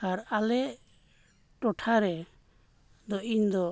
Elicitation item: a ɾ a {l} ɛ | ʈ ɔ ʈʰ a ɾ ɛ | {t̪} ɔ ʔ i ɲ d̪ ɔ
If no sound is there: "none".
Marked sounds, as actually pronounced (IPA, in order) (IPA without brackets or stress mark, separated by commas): l, d̪